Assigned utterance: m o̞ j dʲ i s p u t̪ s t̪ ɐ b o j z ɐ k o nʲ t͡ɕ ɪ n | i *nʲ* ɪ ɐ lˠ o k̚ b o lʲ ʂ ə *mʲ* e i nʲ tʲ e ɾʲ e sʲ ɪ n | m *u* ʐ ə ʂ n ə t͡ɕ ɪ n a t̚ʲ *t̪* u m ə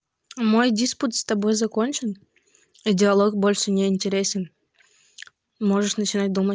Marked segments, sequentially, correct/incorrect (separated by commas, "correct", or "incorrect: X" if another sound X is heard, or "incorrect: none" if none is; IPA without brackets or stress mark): incorrect: dʲ, incorrect: nʲ, incorrect: o, incorrect: d̪